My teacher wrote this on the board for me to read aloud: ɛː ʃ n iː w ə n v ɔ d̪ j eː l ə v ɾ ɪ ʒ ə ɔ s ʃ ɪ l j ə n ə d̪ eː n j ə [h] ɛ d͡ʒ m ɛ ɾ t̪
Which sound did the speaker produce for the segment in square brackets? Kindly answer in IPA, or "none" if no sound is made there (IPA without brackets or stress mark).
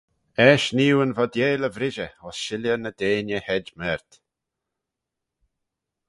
h